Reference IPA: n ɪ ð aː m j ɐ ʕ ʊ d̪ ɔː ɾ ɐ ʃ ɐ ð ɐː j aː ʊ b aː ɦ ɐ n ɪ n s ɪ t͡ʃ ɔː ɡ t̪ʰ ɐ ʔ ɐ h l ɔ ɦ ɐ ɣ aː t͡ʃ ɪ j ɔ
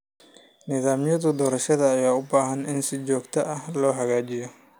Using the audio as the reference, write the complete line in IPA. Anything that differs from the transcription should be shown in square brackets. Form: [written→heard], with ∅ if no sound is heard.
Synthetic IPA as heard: n ɪ ð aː m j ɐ [ʕ→ð] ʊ d̪ ɔː ɾ ɐ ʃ ɐ ð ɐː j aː ʊ b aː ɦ ɐ n ɪ n s ɪ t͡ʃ ɔː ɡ t̪ʰ ɐ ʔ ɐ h l [ɔ→ɔː] ɦ ɐ ɣ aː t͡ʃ ɪ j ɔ